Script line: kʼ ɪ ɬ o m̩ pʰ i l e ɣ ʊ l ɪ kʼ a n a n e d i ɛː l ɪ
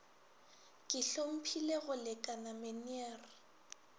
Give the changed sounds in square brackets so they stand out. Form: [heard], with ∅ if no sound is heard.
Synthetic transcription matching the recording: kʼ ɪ ɬ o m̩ pʰ i l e ɣ ʊ l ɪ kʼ a n a [m] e [n] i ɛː [r] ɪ